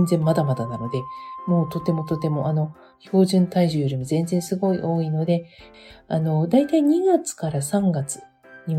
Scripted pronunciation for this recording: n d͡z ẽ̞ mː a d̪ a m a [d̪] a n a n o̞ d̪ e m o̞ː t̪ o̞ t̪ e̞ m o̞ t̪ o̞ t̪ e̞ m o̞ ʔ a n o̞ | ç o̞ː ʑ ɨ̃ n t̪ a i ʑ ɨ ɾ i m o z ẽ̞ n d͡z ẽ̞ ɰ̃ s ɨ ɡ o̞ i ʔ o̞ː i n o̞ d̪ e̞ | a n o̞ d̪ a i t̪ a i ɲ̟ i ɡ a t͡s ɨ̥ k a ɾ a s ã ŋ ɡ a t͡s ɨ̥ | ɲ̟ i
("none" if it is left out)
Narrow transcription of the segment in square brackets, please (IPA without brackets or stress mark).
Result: d̪